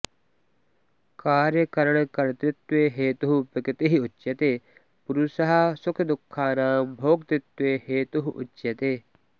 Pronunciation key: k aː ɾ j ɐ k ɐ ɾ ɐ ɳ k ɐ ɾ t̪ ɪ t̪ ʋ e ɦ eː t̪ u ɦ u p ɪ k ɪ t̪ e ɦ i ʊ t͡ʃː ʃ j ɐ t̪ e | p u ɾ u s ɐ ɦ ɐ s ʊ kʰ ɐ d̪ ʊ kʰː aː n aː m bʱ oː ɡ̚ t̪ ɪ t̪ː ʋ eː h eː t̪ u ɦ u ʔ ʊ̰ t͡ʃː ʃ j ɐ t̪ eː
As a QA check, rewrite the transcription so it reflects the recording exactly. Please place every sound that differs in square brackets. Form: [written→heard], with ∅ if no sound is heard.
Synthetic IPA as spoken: k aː ɾ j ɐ k ɐ ɾ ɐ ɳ k ɐ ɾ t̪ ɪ t̪ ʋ e ɦ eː t̪ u ɦ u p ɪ k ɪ t̪ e ɦ i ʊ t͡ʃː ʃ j ɐ t̪ e | p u ɾ u s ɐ ɦ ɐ s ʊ kʰ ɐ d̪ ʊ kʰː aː n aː m bʱ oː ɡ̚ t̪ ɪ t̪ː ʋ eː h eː t̪ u ɦ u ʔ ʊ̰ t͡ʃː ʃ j ɐ t̪ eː